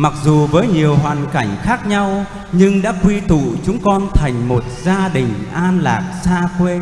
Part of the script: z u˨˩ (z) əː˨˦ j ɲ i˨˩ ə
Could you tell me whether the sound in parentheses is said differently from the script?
yes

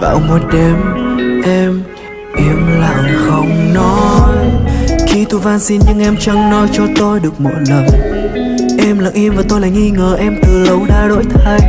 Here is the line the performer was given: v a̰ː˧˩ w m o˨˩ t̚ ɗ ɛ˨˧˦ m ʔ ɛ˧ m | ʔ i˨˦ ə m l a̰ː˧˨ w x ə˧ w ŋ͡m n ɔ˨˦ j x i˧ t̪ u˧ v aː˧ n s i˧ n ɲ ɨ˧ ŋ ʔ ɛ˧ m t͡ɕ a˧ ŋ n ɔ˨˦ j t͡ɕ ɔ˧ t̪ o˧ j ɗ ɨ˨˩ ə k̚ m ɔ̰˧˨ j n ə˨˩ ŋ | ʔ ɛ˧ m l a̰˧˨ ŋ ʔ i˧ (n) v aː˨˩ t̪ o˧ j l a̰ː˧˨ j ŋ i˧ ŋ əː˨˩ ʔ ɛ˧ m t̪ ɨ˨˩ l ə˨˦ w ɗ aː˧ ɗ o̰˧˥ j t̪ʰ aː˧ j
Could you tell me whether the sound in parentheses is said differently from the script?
yes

